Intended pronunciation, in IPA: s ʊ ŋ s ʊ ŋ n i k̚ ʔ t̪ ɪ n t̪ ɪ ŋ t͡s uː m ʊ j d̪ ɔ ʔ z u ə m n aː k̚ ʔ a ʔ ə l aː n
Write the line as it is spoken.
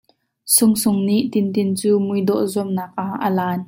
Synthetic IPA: s ʊ ŋ s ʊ ŋ n i ʔ t̪ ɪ n t̪ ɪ n t͡s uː m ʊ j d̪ ɔ ʔ z u ə m n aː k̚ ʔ a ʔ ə l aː n